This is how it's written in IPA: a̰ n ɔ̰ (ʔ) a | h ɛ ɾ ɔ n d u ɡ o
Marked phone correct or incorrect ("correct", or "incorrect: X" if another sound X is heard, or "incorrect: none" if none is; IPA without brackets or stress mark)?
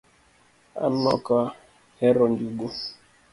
incorrect: k